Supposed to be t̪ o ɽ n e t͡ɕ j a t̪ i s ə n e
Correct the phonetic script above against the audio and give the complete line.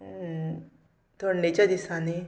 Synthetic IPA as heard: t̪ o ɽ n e t͡ɕ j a d̪ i s a n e

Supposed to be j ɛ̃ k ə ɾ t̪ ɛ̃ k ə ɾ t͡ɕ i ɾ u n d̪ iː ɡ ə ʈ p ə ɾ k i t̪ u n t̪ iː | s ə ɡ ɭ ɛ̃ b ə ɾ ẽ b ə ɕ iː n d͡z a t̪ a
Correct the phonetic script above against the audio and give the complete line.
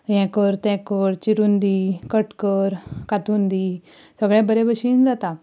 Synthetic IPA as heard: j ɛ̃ k ə ɾ t̪ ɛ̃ k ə ɾ t͡ɕ i ɾ u n d̪ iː k ə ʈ k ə ɾ k a t̪ u n d̪ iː | s ə ɡ ɭ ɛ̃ b ə ɾ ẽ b ə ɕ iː n d͡z a t̪ a

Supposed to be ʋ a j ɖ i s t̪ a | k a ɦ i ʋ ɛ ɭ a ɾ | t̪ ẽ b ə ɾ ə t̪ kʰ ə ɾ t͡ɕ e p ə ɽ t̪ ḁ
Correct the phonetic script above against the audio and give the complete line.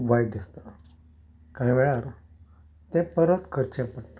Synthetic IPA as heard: ʋ a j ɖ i s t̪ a | k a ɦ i ʋ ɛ ɭ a ɾ | t̪ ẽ p ə ɾ ə t̪ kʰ ə ɾ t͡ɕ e p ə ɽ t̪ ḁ

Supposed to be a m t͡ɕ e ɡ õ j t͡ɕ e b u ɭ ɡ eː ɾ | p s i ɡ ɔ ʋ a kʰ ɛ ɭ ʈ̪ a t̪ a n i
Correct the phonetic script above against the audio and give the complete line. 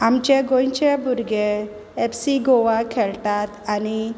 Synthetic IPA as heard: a m t͡ɕ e ɡ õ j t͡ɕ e b u ɾ ɡ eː | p s i ɡ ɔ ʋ a kʰ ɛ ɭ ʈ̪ a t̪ a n i

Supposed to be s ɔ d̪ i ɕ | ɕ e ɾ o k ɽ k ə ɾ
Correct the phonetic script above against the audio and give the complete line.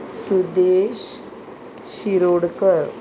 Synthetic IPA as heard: s u d̪ e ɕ | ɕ i ɾ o ɽ k ə ɾ

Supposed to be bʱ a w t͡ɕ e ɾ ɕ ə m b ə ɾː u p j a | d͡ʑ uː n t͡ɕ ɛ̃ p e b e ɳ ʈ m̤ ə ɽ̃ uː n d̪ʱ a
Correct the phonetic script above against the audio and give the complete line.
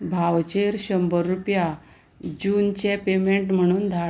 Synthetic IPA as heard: bʱ a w t͡ɕ e ɾ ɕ ə m b ə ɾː u p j a | d͡ʑ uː n t͡ɕ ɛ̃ p e m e ɳ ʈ m̤ ə ɽ̃ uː n d̪ʱ a

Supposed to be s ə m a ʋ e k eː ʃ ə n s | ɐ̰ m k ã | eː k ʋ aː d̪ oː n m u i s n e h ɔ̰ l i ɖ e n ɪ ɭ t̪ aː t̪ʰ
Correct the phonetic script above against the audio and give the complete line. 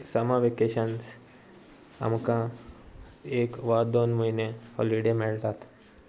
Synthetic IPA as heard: s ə m a ʋ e k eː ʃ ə n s | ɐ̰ m k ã | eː k ʋ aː d̪ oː n m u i n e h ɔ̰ l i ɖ e m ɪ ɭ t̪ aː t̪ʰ

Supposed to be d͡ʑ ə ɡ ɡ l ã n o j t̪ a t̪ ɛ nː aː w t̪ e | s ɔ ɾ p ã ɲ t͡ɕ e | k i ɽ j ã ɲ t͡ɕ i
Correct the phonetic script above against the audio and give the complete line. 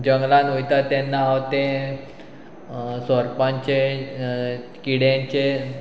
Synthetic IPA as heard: d͡ʑ ə ŋ ɡ l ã n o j t̪ a t̪ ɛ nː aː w t̪ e | s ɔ ɾ p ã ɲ t͡ɕ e | k i ɽ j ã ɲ t͡ɕ e

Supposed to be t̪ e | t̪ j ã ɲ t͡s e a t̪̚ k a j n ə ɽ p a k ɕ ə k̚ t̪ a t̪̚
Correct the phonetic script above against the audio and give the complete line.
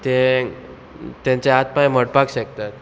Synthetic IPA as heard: t̪ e | t̪ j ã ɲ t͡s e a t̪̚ p a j m ə ɽ p a k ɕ ə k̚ t̪ a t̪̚

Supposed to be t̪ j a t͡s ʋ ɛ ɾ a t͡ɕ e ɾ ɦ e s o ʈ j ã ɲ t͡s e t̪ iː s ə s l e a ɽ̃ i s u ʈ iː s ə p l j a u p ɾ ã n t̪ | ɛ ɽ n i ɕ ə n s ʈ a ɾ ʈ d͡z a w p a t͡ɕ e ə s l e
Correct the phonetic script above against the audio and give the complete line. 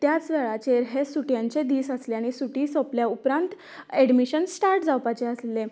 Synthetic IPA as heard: t̪ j a t͡s ʋ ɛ ɭ a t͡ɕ e ɾ ɦ e s u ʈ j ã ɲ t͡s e d̪ iː s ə s l e a ɽ̃ i s u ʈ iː s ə p l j a u p ɾ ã n t̪ | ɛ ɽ m i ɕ ə n s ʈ a ɾ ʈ d͡z a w p a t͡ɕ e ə s l e

